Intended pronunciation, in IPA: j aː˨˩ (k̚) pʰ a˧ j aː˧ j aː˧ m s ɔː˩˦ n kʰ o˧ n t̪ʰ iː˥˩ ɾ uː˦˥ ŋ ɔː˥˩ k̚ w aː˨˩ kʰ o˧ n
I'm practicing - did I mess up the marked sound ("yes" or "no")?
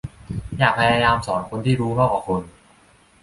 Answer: no